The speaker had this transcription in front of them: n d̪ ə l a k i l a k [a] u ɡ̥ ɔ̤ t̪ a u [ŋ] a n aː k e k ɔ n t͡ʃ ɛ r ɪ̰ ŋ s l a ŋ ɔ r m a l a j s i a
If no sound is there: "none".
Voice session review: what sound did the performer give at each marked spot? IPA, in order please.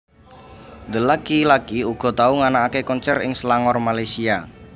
i, ŋ

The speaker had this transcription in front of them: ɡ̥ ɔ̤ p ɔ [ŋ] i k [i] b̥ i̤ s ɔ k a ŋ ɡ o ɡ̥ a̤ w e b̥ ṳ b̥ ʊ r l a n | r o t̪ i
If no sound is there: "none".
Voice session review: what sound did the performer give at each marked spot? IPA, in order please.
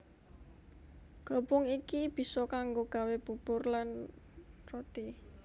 ŋ, i

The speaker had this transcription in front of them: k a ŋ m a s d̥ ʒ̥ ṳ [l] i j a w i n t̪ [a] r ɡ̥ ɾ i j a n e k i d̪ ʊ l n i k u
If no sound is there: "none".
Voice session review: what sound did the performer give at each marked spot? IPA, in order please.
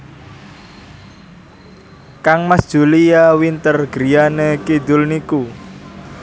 l, ə

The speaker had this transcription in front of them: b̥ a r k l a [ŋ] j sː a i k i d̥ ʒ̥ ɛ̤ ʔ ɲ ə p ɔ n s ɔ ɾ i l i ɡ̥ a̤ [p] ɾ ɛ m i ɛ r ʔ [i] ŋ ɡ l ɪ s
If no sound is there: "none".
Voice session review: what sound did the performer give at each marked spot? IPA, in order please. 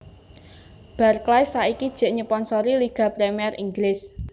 none, p, i

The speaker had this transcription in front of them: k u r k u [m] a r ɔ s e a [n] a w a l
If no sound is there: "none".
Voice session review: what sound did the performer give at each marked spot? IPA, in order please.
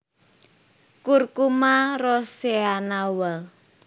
m, n

